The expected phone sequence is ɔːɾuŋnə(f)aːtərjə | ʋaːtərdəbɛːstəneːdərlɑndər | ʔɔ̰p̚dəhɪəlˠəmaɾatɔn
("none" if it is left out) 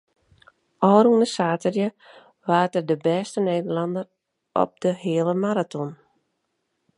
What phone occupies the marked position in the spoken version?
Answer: s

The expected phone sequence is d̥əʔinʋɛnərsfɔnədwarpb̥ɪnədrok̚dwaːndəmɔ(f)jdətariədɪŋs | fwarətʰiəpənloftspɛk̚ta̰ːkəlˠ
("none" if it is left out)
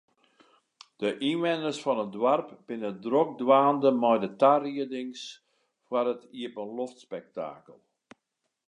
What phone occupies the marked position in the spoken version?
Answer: none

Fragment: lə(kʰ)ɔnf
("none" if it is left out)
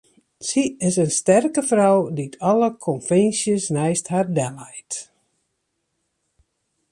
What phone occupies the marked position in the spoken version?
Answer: kʰ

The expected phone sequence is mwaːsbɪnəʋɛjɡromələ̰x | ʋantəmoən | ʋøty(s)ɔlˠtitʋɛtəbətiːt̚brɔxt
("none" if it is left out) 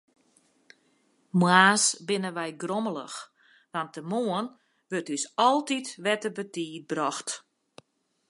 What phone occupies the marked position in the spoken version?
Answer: s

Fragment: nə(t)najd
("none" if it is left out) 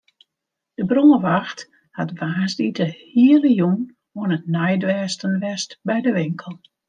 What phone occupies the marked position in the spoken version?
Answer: t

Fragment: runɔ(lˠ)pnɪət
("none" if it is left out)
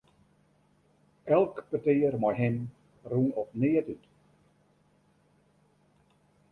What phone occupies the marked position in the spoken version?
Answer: none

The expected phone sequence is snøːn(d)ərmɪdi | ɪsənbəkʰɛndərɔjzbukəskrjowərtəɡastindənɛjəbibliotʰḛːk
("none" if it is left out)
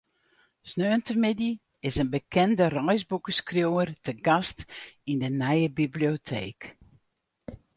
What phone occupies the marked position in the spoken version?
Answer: t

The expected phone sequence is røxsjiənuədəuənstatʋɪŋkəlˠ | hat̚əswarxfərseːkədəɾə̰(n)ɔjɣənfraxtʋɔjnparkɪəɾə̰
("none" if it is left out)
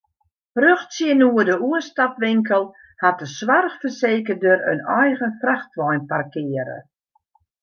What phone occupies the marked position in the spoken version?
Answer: n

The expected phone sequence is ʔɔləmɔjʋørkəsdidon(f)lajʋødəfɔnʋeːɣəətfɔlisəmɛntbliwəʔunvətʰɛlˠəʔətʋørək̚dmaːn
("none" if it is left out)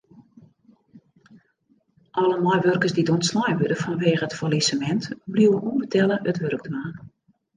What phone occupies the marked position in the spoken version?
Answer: s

